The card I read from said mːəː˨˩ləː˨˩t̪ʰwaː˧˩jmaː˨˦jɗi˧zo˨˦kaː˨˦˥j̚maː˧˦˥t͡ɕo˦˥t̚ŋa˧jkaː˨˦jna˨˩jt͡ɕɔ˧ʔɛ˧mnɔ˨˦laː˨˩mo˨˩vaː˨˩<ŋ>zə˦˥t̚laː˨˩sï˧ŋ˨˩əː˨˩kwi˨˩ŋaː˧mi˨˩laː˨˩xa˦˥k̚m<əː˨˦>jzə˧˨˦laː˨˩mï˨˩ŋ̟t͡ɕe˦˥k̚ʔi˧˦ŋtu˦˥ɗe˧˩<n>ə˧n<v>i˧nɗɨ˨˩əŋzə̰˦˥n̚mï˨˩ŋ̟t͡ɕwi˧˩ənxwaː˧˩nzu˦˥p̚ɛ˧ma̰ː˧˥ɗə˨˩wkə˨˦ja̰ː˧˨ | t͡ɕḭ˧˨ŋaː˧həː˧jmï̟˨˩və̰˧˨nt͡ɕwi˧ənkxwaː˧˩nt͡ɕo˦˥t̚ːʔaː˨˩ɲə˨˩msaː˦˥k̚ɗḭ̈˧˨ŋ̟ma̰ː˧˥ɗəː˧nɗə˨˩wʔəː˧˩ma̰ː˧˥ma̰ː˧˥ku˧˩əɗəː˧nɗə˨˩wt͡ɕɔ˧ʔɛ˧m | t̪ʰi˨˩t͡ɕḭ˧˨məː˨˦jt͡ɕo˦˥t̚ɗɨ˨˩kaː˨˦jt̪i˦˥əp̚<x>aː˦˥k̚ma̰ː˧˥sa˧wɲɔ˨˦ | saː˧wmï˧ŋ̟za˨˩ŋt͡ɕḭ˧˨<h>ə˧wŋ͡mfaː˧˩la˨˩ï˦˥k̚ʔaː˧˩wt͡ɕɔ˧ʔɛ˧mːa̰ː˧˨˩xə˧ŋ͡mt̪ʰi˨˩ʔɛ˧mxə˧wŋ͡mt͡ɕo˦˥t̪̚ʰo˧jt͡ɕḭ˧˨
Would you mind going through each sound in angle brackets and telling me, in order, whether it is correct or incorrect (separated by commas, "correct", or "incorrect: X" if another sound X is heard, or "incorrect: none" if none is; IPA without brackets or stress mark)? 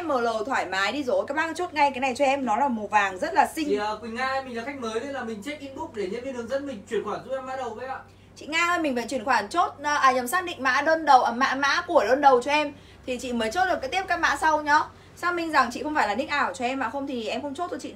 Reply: correct, correct, incorrect: ɲ, correct, incorrect: k, incorrect: x